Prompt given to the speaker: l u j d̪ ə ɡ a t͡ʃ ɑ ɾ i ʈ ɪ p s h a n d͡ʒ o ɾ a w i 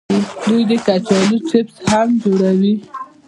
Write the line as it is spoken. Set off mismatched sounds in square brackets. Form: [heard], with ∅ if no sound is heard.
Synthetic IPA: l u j d̪ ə [k] a t͡ʃ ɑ [l] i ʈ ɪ p s h a [m] d͡ʒ o [ɽ] a w i